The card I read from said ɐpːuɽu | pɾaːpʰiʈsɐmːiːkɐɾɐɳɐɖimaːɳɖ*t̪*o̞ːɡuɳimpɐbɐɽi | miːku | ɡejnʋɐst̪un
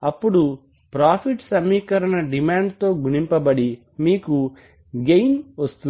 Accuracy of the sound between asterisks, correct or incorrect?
correct